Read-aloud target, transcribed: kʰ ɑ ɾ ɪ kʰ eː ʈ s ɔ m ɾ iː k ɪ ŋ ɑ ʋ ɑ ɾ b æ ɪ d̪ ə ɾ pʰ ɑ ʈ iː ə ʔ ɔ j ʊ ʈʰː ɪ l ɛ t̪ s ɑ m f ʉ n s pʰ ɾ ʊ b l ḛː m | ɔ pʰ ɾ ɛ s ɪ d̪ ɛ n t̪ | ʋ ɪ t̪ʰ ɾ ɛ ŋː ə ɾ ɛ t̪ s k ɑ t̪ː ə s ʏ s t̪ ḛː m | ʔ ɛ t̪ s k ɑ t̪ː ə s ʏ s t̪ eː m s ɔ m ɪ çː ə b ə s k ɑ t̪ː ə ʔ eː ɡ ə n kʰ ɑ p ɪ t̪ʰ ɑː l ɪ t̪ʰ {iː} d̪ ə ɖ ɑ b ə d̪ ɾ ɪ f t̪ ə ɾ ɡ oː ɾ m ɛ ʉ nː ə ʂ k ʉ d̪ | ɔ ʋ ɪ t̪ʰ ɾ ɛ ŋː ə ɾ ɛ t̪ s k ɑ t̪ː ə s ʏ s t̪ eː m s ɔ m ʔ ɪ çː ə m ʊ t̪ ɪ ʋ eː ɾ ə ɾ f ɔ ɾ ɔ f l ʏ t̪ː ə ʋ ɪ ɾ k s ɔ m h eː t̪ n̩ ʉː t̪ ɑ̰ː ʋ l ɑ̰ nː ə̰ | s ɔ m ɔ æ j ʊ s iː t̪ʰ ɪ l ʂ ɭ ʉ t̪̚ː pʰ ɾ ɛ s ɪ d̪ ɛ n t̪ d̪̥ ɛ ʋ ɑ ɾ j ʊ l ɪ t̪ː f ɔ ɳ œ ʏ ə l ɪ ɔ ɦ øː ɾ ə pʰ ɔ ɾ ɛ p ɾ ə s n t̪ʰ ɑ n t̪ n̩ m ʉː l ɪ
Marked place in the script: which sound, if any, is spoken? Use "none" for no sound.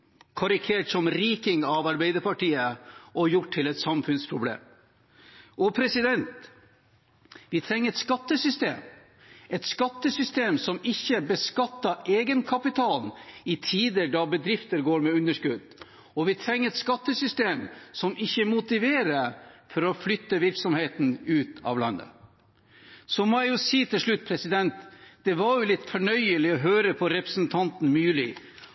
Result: iː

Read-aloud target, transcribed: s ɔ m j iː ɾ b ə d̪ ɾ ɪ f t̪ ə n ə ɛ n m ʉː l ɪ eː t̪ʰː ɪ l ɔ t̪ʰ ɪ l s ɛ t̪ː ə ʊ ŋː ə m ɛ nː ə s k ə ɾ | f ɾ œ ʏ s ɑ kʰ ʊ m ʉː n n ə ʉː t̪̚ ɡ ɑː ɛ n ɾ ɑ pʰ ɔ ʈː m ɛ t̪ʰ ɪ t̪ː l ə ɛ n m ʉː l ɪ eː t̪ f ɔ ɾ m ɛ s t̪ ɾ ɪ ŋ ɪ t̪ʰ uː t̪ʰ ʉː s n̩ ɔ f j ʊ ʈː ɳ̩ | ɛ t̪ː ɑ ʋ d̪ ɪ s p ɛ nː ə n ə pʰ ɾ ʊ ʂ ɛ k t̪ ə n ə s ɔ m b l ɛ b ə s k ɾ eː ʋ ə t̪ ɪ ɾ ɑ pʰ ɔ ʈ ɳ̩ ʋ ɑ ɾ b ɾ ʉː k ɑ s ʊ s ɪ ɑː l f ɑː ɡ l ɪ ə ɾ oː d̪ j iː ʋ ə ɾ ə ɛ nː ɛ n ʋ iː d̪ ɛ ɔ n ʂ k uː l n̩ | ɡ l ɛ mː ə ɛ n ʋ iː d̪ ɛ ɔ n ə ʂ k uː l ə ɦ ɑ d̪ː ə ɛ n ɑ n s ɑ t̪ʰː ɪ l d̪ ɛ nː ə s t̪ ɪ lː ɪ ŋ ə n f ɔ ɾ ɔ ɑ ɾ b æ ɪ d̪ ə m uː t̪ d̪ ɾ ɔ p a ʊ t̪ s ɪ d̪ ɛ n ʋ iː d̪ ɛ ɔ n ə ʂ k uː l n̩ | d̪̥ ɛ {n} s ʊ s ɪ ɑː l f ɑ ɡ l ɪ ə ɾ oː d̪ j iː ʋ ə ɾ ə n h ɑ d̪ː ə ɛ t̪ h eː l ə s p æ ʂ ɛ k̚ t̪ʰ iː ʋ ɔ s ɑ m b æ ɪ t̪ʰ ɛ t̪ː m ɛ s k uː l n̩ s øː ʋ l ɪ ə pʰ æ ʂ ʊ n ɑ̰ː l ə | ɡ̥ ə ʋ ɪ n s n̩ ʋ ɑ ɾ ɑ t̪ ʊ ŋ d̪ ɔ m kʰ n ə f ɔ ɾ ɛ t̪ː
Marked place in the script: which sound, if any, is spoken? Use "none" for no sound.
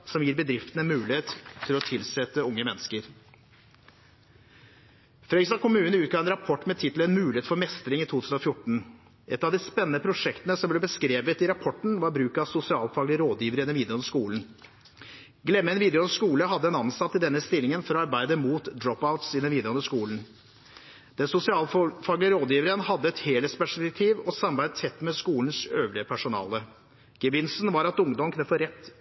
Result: n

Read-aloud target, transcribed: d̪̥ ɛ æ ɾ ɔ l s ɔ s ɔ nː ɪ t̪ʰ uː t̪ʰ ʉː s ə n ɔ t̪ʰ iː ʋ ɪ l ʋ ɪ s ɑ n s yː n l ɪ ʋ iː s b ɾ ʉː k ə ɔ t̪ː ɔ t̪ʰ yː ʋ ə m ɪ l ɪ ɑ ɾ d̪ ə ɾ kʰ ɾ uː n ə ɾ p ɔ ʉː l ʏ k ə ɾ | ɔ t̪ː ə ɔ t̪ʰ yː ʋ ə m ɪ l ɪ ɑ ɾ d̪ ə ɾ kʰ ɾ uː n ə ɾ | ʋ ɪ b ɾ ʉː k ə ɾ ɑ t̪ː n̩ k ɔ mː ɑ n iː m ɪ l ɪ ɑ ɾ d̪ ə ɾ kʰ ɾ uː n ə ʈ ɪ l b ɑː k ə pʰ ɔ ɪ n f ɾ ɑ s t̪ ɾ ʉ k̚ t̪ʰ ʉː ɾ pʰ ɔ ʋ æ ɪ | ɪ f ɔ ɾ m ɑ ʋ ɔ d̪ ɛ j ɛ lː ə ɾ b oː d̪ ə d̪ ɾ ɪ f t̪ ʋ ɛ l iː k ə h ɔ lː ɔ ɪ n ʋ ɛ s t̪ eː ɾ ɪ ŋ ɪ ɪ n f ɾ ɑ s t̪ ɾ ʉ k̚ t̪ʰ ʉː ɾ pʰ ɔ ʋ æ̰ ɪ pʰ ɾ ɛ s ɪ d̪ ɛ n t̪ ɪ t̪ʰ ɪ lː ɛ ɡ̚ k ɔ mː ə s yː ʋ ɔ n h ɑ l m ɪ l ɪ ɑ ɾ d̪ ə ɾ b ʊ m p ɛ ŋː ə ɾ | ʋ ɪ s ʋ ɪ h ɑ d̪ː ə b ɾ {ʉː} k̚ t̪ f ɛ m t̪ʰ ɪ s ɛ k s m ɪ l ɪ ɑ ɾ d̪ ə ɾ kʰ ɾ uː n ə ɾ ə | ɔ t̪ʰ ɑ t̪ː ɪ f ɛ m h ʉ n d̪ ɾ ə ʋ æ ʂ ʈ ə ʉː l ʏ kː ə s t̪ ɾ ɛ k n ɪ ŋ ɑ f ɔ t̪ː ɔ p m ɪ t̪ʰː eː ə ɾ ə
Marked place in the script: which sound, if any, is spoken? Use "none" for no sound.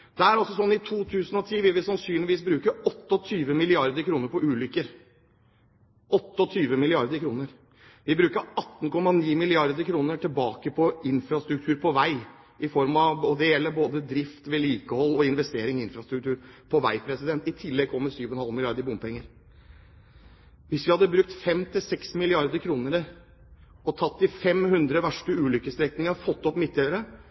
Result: ʉ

